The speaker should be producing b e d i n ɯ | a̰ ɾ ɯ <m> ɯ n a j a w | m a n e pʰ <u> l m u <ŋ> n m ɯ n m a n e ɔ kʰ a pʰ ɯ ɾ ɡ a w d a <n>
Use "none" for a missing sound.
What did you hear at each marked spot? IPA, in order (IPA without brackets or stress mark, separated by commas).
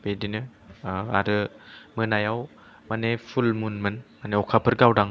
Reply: m, u, none, ŋ